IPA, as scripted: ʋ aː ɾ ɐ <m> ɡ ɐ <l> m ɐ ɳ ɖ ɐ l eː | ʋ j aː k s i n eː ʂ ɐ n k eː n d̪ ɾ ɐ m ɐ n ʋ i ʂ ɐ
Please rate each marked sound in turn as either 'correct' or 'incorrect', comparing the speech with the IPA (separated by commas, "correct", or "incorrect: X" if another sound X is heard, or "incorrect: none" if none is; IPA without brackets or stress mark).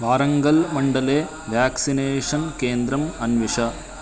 incorrect: ŋ, correct